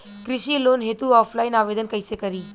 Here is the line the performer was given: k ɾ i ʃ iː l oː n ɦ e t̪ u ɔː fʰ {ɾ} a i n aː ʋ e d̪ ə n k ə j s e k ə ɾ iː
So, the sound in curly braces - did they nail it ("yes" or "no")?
no